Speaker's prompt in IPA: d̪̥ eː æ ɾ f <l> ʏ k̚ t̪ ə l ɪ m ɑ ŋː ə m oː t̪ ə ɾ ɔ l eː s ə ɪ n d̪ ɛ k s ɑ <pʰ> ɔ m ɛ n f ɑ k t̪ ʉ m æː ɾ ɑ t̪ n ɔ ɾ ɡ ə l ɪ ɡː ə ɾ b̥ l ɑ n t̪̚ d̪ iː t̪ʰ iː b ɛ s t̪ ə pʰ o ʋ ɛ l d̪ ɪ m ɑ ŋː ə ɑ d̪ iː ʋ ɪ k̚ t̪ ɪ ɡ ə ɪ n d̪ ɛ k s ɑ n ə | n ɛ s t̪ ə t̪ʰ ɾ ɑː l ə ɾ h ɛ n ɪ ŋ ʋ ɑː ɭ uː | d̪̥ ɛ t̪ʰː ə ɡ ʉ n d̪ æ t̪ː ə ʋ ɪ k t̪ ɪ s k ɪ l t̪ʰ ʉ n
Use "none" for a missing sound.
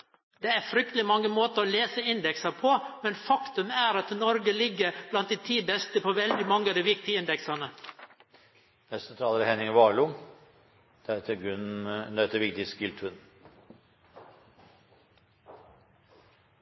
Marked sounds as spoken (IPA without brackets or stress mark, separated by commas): ɾ, pʰ